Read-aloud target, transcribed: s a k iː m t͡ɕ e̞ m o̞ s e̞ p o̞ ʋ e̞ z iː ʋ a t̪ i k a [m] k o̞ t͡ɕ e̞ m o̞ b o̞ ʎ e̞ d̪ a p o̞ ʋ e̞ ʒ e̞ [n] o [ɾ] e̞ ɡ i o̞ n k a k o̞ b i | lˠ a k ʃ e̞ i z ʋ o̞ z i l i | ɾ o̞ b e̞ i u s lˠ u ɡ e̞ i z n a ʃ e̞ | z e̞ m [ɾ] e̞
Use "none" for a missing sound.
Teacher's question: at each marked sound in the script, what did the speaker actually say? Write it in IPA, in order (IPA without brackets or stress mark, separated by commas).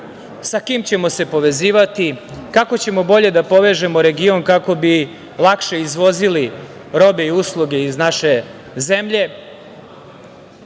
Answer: none, m, ɾ, ʎ